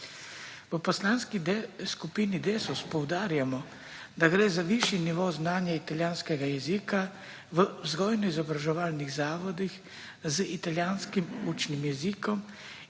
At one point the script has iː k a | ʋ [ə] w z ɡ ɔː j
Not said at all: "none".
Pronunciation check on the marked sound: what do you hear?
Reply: ə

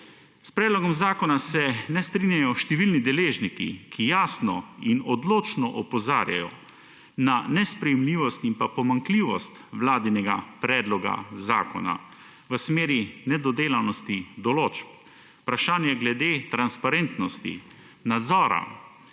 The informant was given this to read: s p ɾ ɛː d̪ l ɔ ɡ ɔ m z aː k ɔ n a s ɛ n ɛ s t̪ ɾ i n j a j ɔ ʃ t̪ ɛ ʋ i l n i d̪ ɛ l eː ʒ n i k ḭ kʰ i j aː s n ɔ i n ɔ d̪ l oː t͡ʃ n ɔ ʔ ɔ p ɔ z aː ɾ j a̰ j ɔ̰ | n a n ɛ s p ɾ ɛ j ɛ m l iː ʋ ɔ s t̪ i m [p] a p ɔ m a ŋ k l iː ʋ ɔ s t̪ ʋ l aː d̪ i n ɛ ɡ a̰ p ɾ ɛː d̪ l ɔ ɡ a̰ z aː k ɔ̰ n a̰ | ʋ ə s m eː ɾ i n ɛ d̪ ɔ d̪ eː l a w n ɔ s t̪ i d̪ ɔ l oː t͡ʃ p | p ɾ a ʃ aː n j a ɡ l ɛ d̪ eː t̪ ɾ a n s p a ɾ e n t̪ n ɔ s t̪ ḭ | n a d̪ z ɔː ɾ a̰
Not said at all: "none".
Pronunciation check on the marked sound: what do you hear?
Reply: p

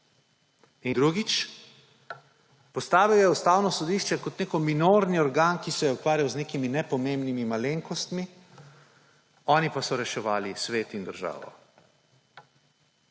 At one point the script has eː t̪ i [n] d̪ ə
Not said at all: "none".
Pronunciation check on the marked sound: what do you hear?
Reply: n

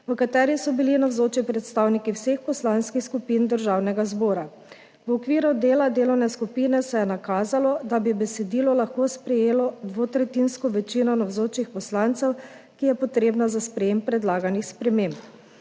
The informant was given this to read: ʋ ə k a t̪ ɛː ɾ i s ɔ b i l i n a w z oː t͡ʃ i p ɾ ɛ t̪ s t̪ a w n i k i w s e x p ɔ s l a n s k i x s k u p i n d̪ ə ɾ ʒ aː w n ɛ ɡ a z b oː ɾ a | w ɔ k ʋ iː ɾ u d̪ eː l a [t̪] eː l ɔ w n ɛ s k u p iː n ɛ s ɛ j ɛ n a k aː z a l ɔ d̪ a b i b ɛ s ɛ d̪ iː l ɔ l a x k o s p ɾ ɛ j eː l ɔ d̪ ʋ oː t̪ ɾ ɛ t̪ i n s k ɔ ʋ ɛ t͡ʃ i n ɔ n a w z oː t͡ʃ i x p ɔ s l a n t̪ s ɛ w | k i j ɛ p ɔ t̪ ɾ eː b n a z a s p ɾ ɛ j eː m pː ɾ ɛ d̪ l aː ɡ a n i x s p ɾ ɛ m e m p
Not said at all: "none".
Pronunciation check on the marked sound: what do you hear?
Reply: d̪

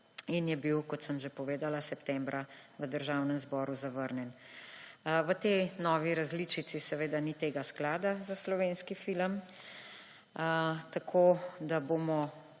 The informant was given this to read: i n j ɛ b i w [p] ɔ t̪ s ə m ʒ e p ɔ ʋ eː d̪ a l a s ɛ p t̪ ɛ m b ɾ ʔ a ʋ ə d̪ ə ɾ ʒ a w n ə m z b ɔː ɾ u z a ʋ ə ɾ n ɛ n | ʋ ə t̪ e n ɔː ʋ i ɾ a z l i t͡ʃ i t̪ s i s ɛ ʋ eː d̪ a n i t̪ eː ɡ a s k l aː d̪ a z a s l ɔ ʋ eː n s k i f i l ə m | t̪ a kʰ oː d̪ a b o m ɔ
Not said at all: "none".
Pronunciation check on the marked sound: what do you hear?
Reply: k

